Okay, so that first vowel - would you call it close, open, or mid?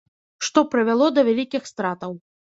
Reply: mid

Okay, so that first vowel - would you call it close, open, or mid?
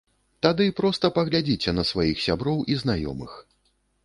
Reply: open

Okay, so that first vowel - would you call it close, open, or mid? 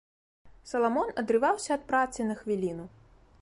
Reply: open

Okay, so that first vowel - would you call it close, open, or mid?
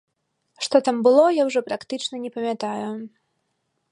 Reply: mid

